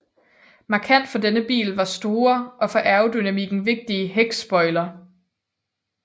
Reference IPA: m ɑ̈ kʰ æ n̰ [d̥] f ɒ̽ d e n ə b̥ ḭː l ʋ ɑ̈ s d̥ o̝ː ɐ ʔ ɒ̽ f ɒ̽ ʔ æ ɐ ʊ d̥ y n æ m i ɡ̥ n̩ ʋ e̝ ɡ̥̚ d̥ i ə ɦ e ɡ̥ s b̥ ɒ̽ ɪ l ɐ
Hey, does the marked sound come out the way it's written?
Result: yes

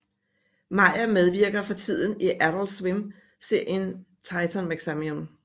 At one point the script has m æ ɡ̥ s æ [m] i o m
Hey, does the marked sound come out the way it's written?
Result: yes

